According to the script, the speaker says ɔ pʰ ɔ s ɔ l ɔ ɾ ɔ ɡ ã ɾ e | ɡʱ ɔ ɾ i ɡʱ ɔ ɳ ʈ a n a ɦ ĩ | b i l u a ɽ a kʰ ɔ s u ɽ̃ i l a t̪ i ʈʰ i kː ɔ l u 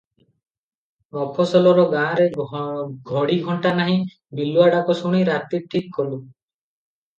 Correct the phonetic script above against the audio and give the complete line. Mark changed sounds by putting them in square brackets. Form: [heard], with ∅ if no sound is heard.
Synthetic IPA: ɔ pʰ ɔ s ɔ l ɔ ɾ ɔ ɡ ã ɾ e | ɡʱ ɔ [ɽ] i ɡʱ ɔ ɳ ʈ a n a ɦ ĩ | b i l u a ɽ a [k] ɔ s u ɽ̃ i [ɾ] a t̪ i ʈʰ i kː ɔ l u